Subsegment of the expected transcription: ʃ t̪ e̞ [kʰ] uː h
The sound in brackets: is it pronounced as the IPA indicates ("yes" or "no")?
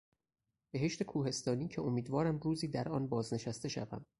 yes